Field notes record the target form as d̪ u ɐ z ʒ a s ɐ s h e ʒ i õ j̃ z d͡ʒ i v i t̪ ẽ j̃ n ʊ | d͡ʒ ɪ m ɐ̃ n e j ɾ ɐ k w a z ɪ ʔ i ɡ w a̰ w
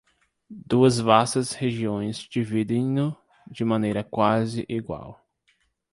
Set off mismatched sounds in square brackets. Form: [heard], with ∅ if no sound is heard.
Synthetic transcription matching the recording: d̪ u ɐ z [v] a s ɐ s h e ʒ i õ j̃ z d͡ʒ i v i [d̪] ẽ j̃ n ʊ | d͡ʒ ɪ m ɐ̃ n e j ɾ ɐ k w a z ɪ ʔ i ɡ w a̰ w